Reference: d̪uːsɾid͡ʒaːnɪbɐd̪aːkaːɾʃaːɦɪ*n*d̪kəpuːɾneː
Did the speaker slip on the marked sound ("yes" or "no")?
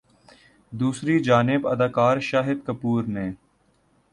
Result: yes